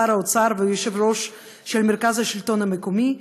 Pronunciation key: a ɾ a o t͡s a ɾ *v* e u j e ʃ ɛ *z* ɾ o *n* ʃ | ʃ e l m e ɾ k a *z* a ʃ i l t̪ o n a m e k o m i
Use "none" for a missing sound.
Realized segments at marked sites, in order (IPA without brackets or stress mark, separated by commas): v, v, none, z